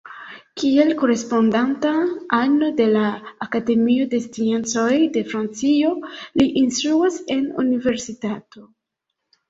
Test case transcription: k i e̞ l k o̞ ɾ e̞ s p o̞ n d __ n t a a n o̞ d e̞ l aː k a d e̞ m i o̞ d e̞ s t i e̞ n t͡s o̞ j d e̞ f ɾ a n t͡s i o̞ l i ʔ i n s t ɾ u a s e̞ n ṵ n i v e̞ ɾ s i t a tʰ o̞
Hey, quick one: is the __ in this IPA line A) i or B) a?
B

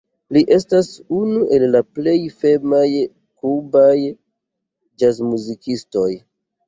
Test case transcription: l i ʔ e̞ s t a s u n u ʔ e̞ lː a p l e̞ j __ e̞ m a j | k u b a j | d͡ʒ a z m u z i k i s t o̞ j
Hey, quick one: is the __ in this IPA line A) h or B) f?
B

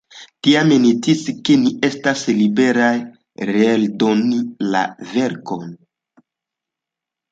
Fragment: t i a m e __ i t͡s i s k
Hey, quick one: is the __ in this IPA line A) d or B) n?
B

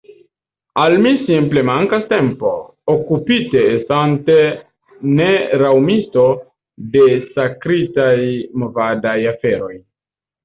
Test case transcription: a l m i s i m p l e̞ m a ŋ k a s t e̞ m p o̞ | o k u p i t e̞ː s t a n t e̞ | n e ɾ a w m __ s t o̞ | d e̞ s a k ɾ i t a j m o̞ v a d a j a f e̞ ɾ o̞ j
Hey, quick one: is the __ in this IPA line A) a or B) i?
B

